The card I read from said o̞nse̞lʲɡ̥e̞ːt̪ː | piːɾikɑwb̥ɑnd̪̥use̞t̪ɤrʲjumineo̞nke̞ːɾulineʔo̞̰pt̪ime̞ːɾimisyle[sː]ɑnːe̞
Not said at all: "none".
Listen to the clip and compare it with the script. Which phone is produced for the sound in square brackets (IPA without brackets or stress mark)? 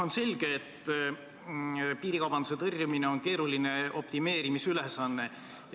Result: s